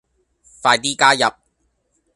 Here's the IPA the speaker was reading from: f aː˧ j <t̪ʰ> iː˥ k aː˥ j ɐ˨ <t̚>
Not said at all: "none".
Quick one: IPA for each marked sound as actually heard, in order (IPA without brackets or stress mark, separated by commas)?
t̪, p̚